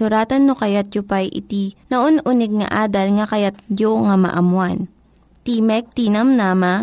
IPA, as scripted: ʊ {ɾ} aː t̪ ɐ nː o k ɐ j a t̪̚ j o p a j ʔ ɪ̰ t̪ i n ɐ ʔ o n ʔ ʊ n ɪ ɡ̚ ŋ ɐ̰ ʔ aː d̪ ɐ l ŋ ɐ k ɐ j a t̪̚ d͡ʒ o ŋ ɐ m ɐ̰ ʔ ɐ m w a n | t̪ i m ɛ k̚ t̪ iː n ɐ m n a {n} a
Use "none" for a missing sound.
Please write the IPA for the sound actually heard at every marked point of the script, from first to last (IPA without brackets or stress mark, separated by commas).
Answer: ɾ, m